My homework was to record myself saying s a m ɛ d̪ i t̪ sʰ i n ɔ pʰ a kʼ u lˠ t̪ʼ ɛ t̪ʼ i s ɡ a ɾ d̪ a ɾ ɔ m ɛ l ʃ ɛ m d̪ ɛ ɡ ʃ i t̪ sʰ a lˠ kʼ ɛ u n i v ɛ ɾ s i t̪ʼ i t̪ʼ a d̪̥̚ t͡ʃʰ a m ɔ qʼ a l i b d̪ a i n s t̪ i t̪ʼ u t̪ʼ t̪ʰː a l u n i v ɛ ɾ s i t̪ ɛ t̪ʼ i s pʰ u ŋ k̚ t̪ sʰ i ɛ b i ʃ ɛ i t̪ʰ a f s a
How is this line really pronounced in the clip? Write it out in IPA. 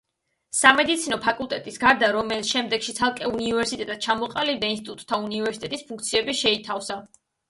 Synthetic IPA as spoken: s a m ɛ d̪ i t̪ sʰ i n ɔ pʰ a kʼ u lˠ t̪ʼ ɛ t̪ʼ i s ɡ a ɾ d̪ a ɾ ɔ m ɛ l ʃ ɛ m d̪ ɛ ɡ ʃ i t̪ sʰ a lˠ kʼ ɛ u n i v ɛ ɾ s i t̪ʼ ɛ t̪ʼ a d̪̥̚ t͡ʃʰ a m ɔ qʼ a l i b d̪ a i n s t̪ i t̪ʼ u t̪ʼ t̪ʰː a u n i v ɛ ɾ s i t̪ ɛ t̪ʼ i s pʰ u ŋ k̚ t̪ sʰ i ɛ b i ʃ ɛ i t̪ʰ a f s a